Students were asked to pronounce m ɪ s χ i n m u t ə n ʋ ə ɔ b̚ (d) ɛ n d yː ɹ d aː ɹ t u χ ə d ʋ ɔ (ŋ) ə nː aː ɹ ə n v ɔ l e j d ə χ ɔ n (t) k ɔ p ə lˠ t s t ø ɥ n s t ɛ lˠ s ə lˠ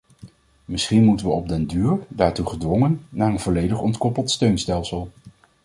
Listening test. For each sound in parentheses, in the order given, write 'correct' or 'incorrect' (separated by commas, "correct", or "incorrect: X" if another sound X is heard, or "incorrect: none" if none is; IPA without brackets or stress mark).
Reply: correct, correct, correct